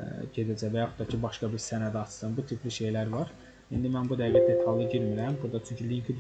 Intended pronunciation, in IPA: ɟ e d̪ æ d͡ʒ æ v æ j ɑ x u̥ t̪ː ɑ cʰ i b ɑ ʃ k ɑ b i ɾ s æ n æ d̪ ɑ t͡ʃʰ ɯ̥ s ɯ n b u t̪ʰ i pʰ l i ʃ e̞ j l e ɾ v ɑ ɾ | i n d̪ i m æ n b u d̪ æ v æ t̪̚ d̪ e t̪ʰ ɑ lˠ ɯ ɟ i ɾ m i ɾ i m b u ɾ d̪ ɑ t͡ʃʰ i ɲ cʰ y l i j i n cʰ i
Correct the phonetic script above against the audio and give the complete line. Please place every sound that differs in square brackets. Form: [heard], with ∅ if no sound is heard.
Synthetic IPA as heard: ɟ e d̪ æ d͡ʒ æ v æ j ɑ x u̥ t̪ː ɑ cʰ i b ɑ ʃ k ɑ b i ɾ s æ n æ d̪ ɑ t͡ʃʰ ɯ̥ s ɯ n b u t̪ʰ i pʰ l i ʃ e̞ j l [æ] ɾ v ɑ ɾ | i n d̪ i m æ n b u d̪ æ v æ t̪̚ d̪ e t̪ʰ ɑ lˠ ɯ ɟ i ɾ m i ɾ [æ] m b u ɾ d̪ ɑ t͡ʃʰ [y] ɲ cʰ y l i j i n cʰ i

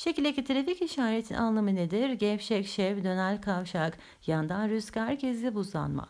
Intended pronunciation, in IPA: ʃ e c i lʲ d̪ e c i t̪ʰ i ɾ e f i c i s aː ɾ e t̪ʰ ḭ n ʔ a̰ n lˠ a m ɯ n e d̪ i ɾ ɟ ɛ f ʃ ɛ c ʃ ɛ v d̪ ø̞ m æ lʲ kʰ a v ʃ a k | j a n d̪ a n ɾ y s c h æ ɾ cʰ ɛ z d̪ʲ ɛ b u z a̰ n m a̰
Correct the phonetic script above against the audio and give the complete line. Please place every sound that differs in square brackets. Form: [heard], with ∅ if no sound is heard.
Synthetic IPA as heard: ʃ e c i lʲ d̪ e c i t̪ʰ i ɾ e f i c i [ʃ] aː ɾ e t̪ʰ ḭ n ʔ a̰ n lˠ a m ɯ n e d̪ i ɾ ɟ ɛ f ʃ ɛ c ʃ ɛ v d̪ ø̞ [n] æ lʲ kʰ a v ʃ a k | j a n d̪ a n ɾ y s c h æ ɾ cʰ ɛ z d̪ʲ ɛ b u z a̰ n m a̰

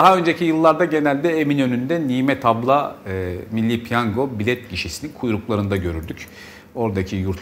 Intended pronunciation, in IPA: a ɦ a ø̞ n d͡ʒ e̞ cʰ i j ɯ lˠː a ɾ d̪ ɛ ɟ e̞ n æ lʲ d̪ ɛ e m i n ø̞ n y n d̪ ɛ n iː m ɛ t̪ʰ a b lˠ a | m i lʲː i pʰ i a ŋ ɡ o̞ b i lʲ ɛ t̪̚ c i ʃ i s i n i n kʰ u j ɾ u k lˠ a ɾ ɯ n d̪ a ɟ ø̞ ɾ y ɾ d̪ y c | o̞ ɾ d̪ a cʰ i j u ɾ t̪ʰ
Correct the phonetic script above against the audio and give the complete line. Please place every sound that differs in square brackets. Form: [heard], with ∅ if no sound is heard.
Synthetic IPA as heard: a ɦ a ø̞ n d͡ʒ e̞ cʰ i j ɯ lˠː a ɾ d̪ [a] ɟ e̞ n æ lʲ d̪ ɛ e m i n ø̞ n y n d̪ ɛ n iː m ɛ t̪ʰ a b lˠ a | m i lʲː i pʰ [j] a ŋ ɡ o̞ b i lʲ ɛ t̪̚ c i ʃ i s i n i n kʰ u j ɾ u k lˠ a ɾ ɯ n d̪ a ɟ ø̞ ɾ y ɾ d̪ y c | o̞ ɾ d̪ a cʰ i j u ɾ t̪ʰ

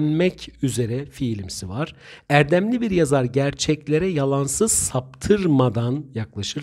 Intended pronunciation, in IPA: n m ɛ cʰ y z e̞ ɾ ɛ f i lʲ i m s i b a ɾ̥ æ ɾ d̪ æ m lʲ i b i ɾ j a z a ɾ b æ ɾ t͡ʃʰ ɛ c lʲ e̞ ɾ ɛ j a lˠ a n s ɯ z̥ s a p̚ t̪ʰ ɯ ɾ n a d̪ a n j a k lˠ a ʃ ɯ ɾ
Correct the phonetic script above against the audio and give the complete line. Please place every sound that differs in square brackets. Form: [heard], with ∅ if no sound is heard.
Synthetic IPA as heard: n m ɛ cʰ y z e̞ ɾ ɛ f i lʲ i m s i [v] a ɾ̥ æ ɾ d̪ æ m lʲ i b i ɾ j a z a ɾ [ɟ] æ ɾ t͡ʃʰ ɛ c lʲ e̞ ɾ ɛ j a lˠ a n s ɯ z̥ s a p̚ t̪ʰ ɯ ɾ [m] a d̪ a n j a k lˠ a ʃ ɯ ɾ

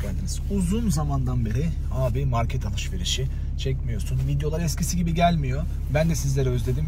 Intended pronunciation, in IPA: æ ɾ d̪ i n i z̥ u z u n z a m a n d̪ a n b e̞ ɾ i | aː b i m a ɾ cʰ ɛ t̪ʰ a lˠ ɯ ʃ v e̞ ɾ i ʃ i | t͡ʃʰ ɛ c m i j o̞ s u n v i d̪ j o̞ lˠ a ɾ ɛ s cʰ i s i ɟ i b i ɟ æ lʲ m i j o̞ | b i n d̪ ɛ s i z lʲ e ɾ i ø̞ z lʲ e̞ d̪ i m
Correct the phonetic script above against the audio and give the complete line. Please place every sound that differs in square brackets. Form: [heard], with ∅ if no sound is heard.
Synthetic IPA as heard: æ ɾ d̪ i n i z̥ u z u n z a m a n d̪ a n b e̞ ɾ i | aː b i m a ɾ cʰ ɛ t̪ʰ a lˠ ɯ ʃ v e̞ ɾ i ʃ i | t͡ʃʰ ɛ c m i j o̞ s u n v i d̪ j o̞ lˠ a ɾ ɛ s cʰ i s i ɟ i b i ɟ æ lʲ m i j o̞ | b [æ] n d̪ ɛ s i z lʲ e ɾ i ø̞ z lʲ e̞ d̪ i m

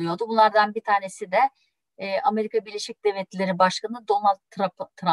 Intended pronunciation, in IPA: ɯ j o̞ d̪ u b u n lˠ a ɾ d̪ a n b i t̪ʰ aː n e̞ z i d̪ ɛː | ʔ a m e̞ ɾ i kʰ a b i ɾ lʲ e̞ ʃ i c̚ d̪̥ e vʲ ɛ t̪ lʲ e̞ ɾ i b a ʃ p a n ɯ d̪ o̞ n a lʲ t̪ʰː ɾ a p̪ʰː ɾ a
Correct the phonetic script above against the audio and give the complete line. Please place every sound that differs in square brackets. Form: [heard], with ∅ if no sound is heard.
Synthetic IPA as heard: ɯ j o̞ d̪ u b u n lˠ a ɾ d̪ a n b i t̪ʰ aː n e̞ [s] i d̪ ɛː | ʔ a m e̞ ɾ i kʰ a b i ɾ lʲ e̞ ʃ i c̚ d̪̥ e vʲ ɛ t̪ lʲ e̞ ɾ i b a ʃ [k] a n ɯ d̪ o̞ n a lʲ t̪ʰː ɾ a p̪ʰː ɾ a

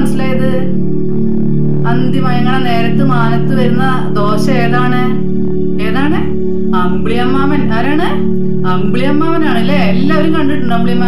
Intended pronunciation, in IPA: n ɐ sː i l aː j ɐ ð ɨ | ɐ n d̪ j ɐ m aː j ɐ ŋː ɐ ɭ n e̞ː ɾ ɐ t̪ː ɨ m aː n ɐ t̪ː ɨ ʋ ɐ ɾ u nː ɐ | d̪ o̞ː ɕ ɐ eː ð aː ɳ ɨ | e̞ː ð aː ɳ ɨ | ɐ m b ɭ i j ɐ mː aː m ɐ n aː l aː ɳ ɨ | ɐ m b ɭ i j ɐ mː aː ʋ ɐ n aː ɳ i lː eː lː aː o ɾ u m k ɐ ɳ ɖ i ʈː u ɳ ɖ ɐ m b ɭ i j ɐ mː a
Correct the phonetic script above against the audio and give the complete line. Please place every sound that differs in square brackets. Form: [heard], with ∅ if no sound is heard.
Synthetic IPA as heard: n ɐ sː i l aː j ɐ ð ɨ | ɐ n d̪ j ɐ m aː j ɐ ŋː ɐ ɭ n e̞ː ɾ ɐ t̪ː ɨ m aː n ɐ t̪ː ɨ ʋ ɐ ɾ u nː ɐ | d̪ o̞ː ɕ ɐ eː ð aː ɳ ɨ | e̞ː ð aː ɳ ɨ | ɐ m b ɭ i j ɐ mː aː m ɐ n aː [ɾ] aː ɳ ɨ | ɐ m b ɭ i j ɐ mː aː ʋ ɐ n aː ɳ i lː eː lː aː o ɾ u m k ɐ ɳ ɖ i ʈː u ɳ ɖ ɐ m b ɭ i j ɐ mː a

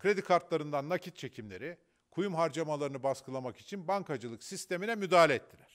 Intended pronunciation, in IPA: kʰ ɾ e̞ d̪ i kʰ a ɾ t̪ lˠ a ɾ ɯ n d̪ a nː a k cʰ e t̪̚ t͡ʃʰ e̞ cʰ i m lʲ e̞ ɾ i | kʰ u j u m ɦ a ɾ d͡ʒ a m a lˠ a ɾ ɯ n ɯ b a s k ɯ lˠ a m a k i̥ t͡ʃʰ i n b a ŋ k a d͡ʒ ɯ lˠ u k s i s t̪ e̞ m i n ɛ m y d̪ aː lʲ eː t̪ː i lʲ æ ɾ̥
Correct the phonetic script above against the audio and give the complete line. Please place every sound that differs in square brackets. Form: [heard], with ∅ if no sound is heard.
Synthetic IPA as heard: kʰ ɾ e̞ d̪ i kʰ a ɾ t̪ lˠ a ɾ ɯ n d̪ a nː a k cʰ [i] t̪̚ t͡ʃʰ e̞ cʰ i m lʲ e̞ ɾ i | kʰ u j u m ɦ a ɾ d͡ʒ a m a lˠ a ɾ ɯ n ɯ b a s k ɯ lˠ a m a k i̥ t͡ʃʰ i n b a ŋ k a d͡ʒ ɯ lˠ [ɯ] k s i s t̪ e̞ m i n ɛ m y d̪ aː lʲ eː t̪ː i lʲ æ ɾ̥

